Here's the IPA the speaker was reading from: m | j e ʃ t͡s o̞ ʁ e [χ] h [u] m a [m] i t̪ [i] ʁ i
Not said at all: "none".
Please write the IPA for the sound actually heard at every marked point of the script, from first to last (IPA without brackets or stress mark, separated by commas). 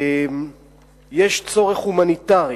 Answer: χ, u, n, a